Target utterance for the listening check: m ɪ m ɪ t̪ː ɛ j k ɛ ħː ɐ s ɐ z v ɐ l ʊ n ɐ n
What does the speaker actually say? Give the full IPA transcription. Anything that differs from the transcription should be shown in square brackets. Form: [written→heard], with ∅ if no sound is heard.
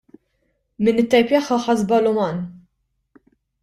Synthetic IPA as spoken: m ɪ [m→n] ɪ t̪ː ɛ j [k→p] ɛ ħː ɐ [s→ħ] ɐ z [v→b] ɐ l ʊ [n→m] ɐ n